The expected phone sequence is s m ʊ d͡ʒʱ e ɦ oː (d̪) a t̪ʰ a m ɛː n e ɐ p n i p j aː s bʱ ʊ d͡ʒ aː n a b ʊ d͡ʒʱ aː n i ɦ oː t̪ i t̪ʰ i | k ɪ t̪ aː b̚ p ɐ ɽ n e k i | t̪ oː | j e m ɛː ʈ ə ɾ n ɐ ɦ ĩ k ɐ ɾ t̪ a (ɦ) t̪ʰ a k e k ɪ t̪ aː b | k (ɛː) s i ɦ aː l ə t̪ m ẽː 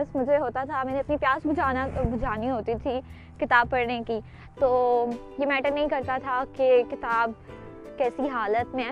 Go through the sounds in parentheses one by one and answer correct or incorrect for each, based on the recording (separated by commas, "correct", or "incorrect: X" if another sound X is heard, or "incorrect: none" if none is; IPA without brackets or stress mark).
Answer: incorrect: t̪, incorrect: none, correct